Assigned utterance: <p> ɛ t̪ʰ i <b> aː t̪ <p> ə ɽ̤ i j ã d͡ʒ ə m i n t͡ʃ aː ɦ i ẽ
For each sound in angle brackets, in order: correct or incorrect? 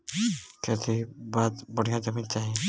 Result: incorrect, correct, incorrect

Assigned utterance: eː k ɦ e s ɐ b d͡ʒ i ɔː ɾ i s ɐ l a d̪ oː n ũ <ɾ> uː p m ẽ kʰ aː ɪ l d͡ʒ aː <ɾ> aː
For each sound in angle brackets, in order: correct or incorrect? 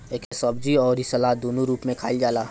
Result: correct, incorrect

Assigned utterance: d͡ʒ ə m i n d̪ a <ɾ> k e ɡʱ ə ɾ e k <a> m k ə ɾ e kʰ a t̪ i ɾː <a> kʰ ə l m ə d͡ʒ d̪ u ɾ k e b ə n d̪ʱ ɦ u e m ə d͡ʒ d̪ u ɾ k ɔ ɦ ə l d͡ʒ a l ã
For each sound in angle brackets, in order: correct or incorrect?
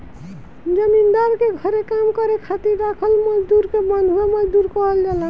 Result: correct, correct, correct

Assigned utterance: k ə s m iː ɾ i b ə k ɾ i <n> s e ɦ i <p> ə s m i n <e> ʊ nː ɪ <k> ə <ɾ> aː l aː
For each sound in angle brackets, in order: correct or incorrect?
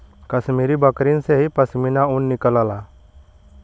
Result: correct, correct, incorrect, correct, incorrect

